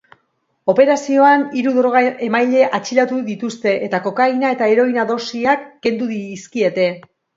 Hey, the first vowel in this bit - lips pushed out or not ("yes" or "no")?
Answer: yes